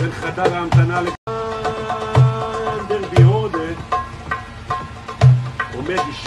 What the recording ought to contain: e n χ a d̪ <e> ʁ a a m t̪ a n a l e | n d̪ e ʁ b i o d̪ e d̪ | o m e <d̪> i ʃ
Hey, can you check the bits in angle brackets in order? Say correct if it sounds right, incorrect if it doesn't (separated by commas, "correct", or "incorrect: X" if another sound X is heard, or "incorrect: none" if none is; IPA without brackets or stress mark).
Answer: incorrect: a, correct